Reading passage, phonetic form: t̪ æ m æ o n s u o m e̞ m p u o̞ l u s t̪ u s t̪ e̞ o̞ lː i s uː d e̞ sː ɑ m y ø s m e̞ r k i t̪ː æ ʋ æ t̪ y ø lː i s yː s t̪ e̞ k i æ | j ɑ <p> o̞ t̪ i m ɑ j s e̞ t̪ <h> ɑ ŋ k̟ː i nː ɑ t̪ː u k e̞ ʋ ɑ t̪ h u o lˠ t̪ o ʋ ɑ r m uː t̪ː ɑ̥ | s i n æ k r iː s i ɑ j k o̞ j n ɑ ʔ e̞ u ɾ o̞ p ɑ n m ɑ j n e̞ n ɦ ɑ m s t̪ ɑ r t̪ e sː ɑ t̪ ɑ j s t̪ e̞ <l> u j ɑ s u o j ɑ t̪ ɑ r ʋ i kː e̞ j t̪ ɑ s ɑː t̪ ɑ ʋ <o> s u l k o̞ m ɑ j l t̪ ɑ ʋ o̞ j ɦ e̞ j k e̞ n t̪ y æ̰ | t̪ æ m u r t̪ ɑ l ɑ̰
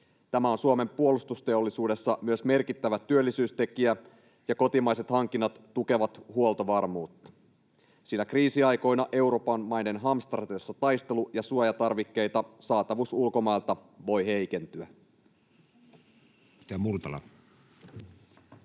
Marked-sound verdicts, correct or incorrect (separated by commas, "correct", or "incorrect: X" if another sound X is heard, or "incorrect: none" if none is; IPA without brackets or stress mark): incorrect: k, correct, correct, incorrect: u